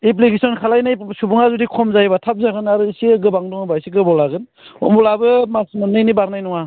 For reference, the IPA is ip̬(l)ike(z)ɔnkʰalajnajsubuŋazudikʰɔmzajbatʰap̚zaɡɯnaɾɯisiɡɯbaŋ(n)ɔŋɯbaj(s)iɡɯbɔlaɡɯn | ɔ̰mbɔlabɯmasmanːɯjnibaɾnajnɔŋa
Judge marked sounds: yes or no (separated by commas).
yes, no, no, yes